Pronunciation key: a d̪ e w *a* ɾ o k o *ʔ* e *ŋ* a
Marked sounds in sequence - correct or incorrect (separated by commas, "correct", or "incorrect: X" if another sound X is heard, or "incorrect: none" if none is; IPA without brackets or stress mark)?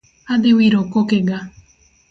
incorrect: i, incorrect: k, incorrect: ɡ